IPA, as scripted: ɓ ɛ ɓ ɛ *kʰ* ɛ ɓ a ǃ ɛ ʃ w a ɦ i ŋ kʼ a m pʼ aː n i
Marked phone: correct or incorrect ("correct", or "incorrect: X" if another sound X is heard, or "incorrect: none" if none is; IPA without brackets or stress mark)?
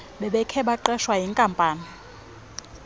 correct